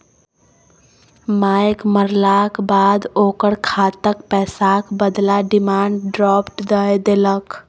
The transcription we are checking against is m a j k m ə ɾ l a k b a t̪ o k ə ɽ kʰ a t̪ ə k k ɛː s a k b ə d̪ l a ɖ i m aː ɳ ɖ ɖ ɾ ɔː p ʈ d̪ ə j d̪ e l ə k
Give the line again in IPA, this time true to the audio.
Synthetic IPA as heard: m a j k m ə ɾ l a k b a d̪ o k ə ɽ kʰ a t̪ ə k p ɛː s a k b ə d̪ l a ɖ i m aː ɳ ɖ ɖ ɾ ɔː p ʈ d̪ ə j d̪ e l ə k